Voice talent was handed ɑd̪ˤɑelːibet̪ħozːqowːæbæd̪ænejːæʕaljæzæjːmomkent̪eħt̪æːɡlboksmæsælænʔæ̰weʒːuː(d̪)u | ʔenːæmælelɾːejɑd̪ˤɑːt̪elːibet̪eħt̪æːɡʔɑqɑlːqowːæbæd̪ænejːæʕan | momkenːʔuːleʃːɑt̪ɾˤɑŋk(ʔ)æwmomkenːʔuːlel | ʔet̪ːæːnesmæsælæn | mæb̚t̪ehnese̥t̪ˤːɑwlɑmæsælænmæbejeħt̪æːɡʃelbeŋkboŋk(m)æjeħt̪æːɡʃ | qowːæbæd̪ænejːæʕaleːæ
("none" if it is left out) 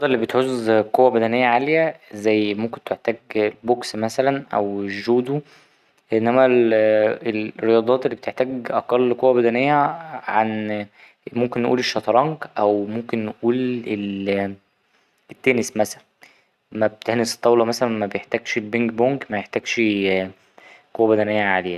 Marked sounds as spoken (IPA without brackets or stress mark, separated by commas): d̪, ʔ, m